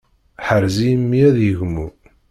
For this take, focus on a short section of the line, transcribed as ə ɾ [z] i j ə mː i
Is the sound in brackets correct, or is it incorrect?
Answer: correct